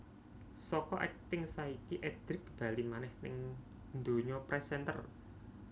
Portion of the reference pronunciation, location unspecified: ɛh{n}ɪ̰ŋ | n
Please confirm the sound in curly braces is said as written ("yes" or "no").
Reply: yes